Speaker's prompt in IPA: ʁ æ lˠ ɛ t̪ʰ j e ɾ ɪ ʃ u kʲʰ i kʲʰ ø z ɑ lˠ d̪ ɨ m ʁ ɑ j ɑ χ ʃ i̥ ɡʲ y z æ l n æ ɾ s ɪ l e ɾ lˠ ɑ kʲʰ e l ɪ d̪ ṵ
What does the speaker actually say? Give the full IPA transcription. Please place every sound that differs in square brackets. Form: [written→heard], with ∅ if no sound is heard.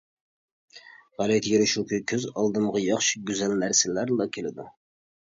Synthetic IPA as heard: ʁ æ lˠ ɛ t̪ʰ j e ɾ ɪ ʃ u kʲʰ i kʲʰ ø z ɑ lˠ d̪ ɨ m ʁ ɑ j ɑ χ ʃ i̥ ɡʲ y z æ l n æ ɾ s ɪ l [e→æ] ɾ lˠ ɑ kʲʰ e l ɪ d̪ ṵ

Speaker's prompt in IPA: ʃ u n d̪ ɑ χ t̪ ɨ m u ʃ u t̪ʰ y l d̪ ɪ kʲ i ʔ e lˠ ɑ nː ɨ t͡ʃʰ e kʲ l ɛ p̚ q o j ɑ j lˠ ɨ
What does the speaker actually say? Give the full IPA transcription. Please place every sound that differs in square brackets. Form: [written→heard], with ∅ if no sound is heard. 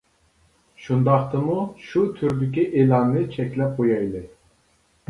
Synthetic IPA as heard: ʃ u n d̪ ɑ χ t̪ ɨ m u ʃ u t̪ʰ y [l→ɾ] d̪ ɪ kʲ i ʔ e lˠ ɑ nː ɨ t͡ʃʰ [e→ɛ] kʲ l ɛ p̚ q o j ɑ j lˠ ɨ

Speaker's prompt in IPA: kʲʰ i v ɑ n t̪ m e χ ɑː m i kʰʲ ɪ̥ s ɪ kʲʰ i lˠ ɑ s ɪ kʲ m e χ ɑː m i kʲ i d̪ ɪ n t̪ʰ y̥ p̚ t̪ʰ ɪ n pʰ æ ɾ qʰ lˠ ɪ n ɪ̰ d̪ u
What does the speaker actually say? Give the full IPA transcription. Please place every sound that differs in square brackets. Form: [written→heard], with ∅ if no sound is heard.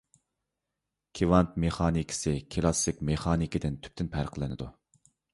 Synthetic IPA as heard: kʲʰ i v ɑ n t̪ m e χ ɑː [m→n] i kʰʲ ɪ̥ s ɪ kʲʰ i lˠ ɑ s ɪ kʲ m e χ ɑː [m→n] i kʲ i d̪ ɪ n t̪ʰ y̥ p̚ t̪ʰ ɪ n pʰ æ ɾ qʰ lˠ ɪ n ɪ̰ d̪ u

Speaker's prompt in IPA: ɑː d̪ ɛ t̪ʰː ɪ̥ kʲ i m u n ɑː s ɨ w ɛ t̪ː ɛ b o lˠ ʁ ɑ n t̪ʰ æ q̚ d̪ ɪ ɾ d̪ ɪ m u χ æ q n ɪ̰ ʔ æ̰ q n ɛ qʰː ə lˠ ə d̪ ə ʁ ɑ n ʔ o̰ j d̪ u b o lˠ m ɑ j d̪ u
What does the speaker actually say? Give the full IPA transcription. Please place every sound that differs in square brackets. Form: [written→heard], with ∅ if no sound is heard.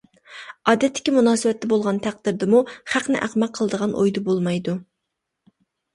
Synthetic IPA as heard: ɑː d̪ ɛ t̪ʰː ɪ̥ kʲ i m u n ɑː s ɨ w ɛ t̪ː ɛ b o lˠ ʁ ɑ n t̪ʰ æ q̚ d̪ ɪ ɾ d̪ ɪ m u χ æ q n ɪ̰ ʔ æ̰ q [n→m] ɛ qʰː ə lˠ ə d̪ ə ʁ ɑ n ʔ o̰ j d̪ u b o lˠ m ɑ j d̪ u

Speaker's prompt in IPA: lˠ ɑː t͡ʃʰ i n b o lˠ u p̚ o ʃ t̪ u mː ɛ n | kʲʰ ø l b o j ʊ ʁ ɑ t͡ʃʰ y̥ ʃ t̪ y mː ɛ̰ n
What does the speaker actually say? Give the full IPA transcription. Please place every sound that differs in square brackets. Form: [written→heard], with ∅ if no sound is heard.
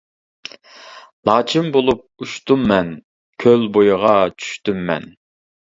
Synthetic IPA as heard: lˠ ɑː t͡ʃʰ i [n→m] b o lˠ u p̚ [o→u] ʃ t̪ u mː ɛ n | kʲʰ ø l b o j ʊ ʁ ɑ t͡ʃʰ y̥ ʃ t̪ y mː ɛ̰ n

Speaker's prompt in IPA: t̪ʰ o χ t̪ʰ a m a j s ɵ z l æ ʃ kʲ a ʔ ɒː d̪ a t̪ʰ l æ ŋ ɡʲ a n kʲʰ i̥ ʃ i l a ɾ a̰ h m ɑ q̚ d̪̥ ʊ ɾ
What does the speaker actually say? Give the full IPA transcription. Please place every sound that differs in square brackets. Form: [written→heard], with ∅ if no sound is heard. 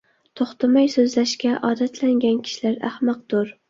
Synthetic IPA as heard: t̪ʰ o χ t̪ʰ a m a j s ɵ z l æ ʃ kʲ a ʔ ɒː d̪ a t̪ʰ l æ ŋ ɡʲ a n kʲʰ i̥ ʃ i l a ɾ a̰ h m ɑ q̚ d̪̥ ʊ ɾ

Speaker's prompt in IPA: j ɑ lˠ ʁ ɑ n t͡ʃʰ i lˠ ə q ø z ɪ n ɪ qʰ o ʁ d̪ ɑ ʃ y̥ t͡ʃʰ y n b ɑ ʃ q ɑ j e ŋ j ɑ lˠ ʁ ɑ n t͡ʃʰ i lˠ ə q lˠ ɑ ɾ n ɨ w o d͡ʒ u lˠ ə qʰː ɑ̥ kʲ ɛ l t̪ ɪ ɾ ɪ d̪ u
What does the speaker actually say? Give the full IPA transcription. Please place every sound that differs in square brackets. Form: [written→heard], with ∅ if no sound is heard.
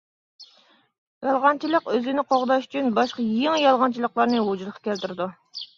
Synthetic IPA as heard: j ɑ lˠ ʁ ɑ n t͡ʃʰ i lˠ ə q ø z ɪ n ɪ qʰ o ʁ d̪ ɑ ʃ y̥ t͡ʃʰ y n b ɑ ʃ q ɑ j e ŋ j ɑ lˠ ʁ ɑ n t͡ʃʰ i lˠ ə q lˠ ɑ ɾ n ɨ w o d͡ʒ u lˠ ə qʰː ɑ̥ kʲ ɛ l t̪ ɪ ɾ ɪ d̪ u

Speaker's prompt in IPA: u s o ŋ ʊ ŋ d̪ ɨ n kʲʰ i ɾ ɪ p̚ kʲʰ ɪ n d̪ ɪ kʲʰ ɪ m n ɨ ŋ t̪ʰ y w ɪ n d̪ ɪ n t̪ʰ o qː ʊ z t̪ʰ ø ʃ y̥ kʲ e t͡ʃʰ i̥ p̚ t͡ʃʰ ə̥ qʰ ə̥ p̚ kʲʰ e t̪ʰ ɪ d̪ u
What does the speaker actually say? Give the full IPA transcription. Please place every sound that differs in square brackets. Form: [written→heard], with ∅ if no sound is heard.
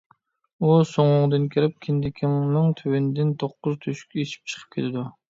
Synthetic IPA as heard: u s o ŋ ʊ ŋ d̪ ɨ n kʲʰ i ɾ ɪ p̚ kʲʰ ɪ n d̪ ɪ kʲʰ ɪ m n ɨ ŋ t̪ʰ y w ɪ n d̪ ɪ n t̪ʰ o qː ʊ z t̪ʰ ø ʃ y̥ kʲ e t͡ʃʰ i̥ p̚ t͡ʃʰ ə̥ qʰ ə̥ p̚ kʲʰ e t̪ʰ ɪ d̪ u

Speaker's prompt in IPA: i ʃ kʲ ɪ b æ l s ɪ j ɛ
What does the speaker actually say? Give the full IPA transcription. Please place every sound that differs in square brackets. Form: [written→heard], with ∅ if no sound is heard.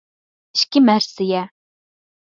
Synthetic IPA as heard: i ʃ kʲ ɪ [b→m] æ [l→ɾ] s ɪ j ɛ

